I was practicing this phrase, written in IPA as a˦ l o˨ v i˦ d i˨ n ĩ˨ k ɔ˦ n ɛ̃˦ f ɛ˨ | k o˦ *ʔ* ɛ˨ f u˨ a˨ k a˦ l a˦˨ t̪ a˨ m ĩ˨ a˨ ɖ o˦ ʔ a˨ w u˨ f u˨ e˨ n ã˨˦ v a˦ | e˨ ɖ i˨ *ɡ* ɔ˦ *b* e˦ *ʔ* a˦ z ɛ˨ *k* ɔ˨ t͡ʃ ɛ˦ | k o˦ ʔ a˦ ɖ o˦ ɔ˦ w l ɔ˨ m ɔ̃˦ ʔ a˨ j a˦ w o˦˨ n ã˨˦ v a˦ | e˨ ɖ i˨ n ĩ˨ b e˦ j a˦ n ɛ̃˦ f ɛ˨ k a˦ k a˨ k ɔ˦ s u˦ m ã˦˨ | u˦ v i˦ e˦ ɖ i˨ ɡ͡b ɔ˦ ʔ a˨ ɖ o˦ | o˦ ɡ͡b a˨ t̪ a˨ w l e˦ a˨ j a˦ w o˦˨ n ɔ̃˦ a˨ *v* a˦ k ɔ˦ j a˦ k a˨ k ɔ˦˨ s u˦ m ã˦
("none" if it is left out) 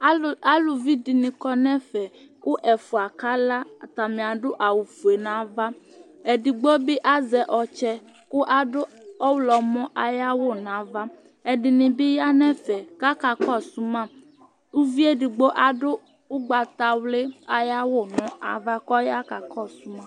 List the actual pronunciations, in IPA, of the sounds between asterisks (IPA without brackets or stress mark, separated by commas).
ʔ, ɡ͡b, b, ʔ, ʔ, v